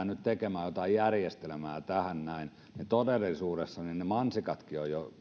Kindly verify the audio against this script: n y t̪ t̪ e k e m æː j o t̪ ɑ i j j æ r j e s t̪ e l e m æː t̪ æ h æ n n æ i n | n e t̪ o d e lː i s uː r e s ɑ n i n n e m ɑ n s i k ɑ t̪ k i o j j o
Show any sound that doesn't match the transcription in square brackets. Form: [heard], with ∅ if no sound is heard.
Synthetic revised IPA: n y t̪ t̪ e k e m æː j o t̪ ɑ i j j æ r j e s t̪ e l e m æː t̪ æ h æ n n æ i n | n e t̪ o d e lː i s uː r e [sː] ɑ n i n n e m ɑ n s i k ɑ t̪ k i o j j o